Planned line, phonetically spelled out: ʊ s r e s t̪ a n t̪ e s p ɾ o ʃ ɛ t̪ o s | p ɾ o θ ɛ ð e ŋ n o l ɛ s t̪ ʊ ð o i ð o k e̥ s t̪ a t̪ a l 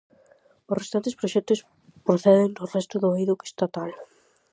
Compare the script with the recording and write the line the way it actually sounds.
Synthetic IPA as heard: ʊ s r e s t̪ a n t̪ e s p ɾ o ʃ ɛ t̪ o s | p ɾ o θ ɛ ð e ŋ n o r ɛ s t̪ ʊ ð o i ð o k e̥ s t̪ a t̪ a l